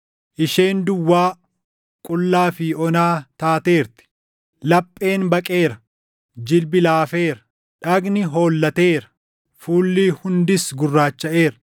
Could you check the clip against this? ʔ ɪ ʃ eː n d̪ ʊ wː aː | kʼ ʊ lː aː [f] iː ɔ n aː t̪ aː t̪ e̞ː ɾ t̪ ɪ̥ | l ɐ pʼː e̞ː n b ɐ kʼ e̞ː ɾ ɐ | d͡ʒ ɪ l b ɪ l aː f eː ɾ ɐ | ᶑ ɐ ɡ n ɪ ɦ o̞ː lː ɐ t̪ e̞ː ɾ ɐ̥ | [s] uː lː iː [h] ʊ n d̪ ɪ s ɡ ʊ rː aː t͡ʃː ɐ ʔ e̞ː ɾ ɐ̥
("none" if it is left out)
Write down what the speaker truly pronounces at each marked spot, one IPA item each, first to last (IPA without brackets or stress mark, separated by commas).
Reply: f, f, h